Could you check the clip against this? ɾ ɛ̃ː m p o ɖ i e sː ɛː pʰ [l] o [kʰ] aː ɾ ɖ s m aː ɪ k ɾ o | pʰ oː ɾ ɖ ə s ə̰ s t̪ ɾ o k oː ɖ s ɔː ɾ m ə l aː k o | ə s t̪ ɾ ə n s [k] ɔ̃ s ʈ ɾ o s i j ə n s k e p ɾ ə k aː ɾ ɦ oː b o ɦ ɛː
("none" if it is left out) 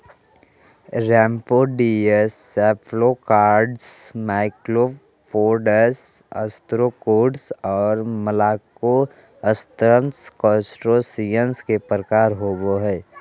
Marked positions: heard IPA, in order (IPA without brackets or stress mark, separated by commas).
l, k, k